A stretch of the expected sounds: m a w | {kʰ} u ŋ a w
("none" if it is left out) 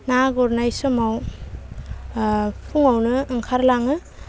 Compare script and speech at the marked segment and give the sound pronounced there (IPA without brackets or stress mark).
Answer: pʰ